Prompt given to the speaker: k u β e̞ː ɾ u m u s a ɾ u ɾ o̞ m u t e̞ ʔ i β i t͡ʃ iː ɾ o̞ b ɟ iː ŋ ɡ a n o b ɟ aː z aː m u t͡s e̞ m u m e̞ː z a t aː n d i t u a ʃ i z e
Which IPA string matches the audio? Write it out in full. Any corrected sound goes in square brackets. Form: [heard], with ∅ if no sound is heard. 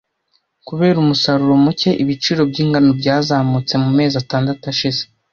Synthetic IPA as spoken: k u β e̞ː ɾ u m u s a ɾ u ɾ o̞ m u [c] e̞ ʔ i β i t͡ʃ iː ɾ o̞ b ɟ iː ŋ ɡ a n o b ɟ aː z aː m u t͡s e̞ m u m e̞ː z a t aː n d [a] t u a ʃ i z e